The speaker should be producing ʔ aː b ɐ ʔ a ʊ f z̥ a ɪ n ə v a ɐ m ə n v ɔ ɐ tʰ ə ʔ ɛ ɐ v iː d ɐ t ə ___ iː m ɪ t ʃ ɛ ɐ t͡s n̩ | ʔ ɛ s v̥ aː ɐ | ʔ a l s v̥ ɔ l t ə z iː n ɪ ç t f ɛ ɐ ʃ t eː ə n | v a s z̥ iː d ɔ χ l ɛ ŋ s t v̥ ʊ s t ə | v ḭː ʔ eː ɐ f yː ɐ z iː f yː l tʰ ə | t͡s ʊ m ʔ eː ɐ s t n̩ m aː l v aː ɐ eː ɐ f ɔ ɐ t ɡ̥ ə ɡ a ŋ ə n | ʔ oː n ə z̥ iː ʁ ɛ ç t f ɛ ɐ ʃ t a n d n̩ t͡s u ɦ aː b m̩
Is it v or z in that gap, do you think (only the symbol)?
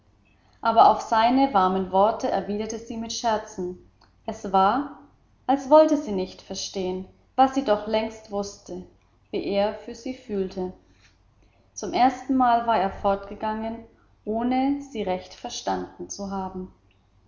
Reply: z